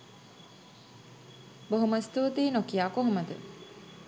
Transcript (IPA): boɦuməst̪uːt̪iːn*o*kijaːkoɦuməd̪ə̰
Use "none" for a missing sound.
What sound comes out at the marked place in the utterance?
o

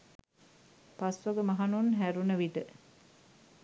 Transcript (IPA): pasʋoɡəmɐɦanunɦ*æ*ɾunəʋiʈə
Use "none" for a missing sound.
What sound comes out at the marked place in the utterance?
æ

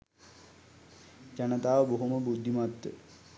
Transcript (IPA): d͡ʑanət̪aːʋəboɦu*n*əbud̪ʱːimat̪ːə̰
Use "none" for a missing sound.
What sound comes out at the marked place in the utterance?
m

